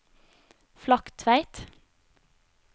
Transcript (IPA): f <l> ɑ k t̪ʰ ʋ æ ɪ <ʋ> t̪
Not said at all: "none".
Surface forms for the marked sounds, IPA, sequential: l, none

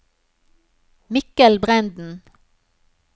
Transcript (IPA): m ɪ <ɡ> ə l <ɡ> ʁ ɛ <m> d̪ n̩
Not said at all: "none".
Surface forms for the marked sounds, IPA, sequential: k, b, n

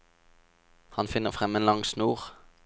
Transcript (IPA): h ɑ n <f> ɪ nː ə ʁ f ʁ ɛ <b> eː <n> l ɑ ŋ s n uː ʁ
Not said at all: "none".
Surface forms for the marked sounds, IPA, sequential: f, m, n

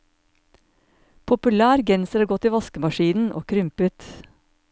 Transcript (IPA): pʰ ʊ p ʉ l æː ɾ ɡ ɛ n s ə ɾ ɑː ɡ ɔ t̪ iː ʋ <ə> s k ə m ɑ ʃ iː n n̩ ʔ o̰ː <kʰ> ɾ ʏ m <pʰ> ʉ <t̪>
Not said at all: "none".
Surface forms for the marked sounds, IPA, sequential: ɑ, kʰ, p, t̪

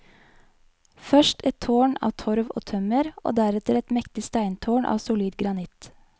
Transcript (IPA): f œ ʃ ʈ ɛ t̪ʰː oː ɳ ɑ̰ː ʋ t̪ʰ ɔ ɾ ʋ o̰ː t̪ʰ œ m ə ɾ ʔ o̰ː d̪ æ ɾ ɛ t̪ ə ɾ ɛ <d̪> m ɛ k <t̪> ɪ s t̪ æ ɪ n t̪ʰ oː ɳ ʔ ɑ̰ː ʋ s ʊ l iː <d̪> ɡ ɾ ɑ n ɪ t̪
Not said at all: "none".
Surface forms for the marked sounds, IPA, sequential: t̪, t̪, d̪

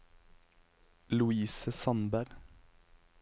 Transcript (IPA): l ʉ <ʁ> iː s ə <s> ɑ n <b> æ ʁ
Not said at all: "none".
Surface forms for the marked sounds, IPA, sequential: none, s, b

